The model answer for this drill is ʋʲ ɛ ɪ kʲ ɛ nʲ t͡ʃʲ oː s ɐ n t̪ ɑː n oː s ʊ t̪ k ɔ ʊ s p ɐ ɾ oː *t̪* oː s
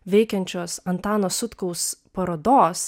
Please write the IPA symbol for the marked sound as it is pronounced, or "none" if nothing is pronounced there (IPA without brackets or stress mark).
d̪